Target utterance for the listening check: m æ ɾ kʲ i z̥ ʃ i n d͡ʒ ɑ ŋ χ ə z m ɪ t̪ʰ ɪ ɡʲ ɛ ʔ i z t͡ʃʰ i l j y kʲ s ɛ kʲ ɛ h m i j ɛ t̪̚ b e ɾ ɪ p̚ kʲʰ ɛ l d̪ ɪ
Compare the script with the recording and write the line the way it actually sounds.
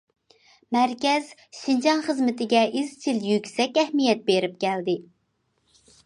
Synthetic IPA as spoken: m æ ɾ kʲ ɛ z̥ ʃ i n d͡ʒ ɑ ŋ χ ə z m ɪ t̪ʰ ɪ ɡʲ ɛ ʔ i z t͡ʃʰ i l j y kʲ s ɛ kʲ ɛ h m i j ɛ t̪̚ b e ɾ ɪ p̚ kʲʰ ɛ l d̪ ɪ